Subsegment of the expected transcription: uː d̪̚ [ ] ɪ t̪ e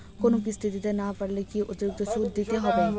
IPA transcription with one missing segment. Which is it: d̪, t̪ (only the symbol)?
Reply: d̪